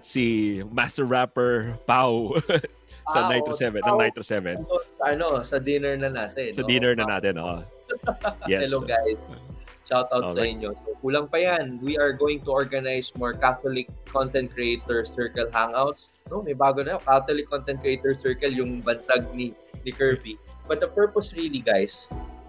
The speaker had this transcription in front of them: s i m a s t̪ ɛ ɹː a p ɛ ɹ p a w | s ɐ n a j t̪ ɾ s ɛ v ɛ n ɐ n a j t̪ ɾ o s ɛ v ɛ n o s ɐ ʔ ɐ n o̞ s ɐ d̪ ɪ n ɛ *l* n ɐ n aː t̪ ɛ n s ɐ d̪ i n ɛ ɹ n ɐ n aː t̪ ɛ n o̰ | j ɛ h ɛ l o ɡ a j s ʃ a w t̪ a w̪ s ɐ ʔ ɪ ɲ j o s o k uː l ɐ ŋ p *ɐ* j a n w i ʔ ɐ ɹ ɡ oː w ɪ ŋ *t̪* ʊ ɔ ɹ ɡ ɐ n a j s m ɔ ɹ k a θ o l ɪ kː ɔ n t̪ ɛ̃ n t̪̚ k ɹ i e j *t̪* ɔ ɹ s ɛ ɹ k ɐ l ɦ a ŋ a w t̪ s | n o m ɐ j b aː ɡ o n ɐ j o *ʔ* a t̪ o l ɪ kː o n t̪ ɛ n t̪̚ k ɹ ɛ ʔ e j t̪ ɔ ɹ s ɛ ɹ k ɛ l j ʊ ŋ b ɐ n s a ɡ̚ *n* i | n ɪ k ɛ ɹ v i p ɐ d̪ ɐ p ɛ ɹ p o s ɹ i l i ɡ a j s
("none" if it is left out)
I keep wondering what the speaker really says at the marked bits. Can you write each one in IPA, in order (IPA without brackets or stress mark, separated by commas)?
ɹ, ɐ, t̪, t̪, k, n